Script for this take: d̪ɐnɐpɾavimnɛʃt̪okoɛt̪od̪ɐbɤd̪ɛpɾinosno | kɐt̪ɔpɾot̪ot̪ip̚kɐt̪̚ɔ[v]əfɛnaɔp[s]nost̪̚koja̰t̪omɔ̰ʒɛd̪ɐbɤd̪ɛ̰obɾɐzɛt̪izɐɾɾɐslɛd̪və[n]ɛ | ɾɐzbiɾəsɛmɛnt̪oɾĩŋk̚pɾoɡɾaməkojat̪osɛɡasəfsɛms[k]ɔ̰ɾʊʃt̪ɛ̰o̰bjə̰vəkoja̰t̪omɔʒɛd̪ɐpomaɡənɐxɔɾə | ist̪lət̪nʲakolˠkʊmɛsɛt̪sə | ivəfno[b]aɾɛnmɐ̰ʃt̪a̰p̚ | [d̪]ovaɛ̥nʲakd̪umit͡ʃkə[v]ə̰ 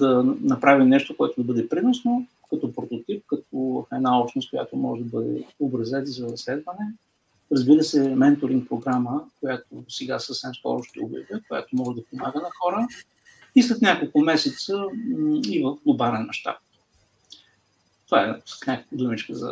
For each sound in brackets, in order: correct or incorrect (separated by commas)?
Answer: correct, incorrect, correct, correct, correct, incorrect, incorrect